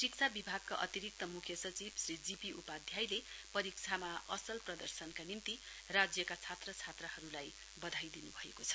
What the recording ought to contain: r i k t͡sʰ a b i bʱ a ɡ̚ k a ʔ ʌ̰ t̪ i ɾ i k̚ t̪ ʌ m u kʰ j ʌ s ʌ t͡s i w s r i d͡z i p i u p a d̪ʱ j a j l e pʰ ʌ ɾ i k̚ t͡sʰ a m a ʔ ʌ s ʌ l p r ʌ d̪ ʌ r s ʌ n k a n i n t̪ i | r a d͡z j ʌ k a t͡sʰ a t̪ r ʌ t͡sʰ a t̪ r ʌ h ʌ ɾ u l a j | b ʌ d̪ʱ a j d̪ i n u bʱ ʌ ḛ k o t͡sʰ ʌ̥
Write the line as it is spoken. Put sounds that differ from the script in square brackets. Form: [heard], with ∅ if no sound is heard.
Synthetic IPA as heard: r i k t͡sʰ a b i bʱ a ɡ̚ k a ʔ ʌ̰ t̪ i ɾ i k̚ t̪ ʌ m u kʰ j ʌ s ʌ t͡s i [b] s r i d͡z i p i u p a d̪ʱ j a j l e [p] ʌ ɾ i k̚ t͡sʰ a m a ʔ ʌ s ʌ l p r ʌ d̪ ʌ r s ʌ n k a n i [m] t̪ i | r a d͡z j ʌ k a t͡sʰ a t̪ r ʌ t͡sʰ a t̪ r ʌ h ʌ ɾ u l a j | b ʌ d̪ʱ a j d̪ i n u bʱ ʌ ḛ k o t͡sʰ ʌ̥

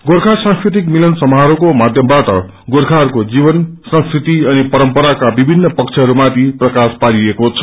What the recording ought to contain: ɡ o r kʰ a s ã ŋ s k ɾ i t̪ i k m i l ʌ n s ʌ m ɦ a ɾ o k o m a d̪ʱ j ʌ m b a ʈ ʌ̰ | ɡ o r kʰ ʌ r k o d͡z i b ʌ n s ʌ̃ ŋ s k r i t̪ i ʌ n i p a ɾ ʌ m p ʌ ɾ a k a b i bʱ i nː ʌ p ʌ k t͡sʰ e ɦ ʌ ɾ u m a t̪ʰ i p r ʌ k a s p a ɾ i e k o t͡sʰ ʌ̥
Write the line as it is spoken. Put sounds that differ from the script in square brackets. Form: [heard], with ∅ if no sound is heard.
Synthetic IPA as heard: ɡ o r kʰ a s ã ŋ s k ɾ i t̪ i k m i l ʌ n s ʌ m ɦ a ɾ o k o m a d̪ʱ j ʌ m b a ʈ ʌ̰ | ɡ o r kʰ [a] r k o d͡z i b ʌ n s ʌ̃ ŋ s k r i t̪ i ʌ n i p [ʌ] ɾ ʌ m p ʌ ɾ a k a b i bʱ i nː ʌ p ʌ k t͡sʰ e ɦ ʌ ɾ u m a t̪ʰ i p r ʌ k a s p a ɾ i e k o t͡sʰ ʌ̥

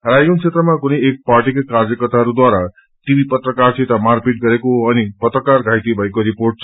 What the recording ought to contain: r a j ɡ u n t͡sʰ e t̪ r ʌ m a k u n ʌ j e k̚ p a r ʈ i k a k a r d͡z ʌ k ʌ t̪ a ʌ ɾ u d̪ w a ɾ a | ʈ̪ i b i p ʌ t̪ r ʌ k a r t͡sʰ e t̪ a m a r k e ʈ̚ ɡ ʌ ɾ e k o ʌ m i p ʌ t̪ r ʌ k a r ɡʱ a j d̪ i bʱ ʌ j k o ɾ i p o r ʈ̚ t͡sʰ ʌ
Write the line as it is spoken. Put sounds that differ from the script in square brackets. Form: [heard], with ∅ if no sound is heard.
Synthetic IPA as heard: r a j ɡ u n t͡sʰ e t̪ r ʌ m a k u n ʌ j e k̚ p a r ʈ i k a k a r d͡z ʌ k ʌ t̪ a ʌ ɾ u d̪ w a ɾ a | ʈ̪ i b i p ʌ t̪ r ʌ k a r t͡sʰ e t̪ a m a r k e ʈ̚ ɡ ʌ ɾ e k o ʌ [n] i p ʌ t̪ r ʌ k a r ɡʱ a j [t̪] i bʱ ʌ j k o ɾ i p o r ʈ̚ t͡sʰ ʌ

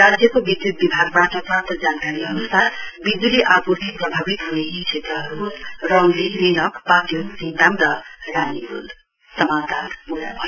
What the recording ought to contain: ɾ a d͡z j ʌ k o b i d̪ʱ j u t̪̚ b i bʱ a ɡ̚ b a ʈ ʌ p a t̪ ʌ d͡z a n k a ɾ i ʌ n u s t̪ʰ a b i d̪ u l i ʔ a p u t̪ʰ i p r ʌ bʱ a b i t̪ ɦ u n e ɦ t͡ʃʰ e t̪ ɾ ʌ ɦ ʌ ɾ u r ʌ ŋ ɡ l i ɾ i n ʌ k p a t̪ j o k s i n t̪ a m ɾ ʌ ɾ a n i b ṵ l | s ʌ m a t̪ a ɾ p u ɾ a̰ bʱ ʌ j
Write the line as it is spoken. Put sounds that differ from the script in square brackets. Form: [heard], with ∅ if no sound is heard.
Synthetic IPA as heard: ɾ a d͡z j ʌ k o b i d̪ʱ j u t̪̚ b i bʱ a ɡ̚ b a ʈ ʌ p a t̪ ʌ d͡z a n k a ɾ i ʌ n u s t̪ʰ a b i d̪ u l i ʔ a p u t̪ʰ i p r ʌ bʱ a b i t̪ ɦ u n e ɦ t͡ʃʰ e t̪ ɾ ʌ ɦ ʌ ɾ u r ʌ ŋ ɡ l i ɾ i n ʌ k p a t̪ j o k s i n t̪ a m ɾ ʌ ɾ a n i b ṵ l | s ʌ m a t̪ a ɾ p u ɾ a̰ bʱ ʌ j

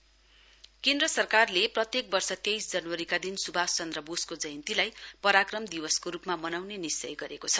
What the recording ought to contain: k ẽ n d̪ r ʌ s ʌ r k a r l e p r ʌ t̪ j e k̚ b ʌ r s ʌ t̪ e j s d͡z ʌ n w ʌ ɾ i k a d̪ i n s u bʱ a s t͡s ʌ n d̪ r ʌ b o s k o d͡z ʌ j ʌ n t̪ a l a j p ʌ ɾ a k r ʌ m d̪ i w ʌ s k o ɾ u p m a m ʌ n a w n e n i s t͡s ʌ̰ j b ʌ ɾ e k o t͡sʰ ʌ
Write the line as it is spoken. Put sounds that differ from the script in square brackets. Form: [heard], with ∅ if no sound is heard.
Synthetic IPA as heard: k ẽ n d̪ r ʌ s ʌ r k a r l e p r ʌ t̪ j e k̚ b ʌ r s ʌ t̪ e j s d͡z ʌ n w ʌ ɾ i k a d̪ i n s u bʱ a s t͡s ʌ n d̪ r ʌ b o s k o d͡z ʌ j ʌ n t̪ [i] l a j p ʌ ɾ a k r ʌ m d̪ i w ʌ s k o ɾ u p m a m ʌ n a w n e n i s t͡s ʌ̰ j [ɡ] ʌ ɾ e k o t͡sʰ ʌ

